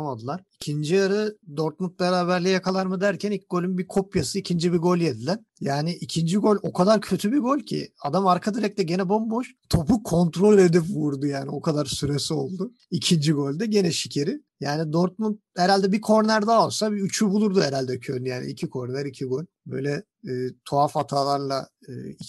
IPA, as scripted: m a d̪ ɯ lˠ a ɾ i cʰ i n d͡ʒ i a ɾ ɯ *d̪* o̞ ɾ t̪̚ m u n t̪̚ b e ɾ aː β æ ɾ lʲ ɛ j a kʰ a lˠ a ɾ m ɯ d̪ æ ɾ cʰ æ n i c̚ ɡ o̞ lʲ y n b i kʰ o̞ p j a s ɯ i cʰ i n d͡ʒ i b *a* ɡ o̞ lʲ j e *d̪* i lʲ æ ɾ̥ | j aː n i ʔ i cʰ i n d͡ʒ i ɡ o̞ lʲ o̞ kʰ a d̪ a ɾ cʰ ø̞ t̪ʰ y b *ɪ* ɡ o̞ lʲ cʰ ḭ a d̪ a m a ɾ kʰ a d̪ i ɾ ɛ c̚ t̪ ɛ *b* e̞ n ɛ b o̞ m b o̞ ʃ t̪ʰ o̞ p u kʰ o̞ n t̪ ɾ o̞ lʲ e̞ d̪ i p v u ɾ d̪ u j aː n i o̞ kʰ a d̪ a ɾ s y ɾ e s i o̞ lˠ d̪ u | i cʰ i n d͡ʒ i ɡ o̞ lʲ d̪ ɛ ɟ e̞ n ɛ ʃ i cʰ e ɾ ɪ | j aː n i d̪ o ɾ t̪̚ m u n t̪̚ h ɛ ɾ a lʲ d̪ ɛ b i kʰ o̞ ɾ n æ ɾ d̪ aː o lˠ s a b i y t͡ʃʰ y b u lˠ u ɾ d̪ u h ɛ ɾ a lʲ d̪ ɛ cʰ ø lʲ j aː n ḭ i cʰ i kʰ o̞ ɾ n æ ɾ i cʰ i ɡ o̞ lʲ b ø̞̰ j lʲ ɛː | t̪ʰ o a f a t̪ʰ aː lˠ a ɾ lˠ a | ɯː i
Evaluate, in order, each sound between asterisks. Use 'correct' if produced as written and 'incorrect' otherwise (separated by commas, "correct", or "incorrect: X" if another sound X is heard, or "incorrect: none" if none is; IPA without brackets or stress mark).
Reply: correct, incorrect: i, correct, incorrect: i, incorrect: ɟ